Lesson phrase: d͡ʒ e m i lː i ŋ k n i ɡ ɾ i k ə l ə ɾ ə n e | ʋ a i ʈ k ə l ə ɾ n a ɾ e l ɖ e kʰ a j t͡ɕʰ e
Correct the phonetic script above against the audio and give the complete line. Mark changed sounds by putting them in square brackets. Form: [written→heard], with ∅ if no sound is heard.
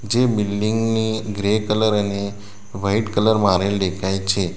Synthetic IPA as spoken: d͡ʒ e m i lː i ŋ [k→ɡ] n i ɡ ɾ [i→e] k ə l ə ɾ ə n e | ʋ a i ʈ k ə l ə ɾ [n→m] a ɾ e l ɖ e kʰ a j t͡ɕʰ e